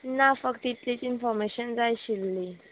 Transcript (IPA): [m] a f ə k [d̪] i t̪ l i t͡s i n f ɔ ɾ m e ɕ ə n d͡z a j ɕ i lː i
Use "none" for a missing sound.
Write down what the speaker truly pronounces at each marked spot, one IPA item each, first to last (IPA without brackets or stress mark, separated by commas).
n, t̪